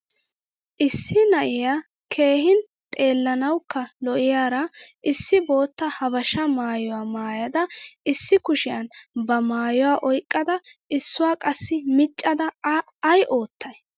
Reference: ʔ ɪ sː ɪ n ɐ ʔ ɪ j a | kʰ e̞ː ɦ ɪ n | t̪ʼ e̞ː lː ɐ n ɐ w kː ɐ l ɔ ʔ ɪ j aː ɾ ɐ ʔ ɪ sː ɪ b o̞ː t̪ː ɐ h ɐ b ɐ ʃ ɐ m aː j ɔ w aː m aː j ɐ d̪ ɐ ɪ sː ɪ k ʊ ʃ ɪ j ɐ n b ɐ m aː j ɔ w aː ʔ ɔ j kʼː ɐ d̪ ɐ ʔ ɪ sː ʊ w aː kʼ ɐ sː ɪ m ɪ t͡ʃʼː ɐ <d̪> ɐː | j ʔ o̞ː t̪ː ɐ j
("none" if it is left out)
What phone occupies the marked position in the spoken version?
d̪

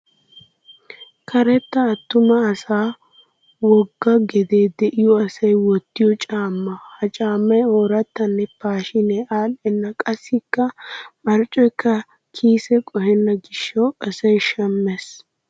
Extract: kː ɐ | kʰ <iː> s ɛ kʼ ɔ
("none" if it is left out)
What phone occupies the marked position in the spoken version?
iː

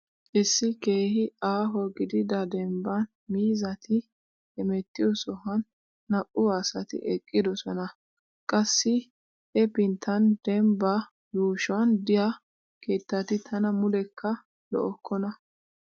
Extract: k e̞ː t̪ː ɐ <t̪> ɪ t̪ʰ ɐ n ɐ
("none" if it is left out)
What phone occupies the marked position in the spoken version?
t̪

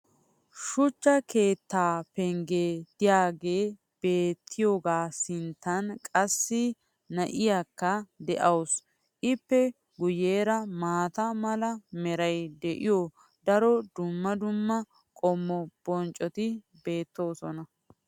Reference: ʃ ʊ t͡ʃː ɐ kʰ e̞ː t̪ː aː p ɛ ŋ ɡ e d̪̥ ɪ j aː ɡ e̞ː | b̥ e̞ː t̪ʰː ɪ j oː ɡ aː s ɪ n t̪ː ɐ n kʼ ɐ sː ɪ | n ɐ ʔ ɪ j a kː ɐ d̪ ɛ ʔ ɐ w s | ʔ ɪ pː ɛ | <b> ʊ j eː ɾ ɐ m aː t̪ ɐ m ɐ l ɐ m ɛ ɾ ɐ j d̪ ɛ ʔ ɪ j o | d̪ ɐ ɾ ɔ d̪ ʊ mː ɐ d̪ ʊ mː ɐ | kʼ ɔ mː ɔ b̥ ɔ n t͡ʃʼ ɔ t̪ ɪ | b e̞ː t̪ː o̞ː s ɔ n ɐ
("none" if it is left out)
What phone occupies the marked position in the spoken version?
ɡ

